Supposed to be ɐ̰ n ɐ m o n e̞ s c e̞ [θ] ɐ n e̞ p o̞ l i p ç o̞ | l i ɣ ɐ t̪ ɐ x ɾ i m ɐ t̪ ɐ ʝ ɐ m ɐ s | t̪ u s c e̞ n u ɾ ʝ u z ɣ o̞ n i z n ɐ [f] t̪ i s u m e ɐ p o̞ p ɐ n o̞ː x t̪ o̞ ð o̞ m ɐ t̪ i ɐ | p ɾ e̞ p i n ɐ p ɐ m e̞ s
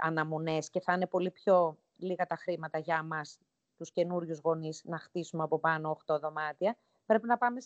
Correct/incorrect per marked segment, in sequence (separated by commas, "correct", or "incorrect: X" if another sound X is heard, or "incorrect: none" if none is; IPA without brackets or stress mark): correct, incorrect: x